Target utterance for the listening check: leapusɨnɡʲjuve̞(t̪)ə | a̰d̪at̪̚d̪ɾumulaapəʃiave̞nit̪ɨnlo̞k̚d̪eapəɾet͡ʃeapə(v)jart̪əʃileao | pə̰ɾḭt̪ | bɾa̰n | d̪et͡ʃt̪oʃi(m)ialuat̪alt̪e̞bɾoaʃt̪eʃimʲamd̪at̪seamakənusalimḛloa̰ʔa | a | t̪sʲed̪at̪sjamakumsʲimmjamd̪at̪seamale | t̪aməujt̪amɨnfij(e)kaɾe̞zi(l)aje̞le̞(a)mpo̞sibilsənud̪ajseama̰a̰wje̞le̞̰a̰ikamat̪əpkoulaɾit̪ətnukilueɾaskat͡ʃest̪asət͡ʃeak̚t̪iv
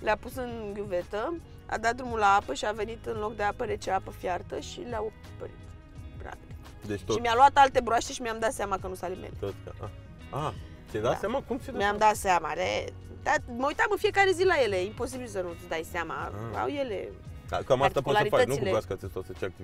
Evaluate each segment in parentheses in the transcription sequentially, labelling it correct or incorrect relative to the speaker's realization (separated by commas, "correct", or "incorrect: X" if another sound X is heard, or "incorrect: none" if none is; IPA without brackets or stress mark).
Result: correct, incorrect: f, correct, correct, correct, incorrect: i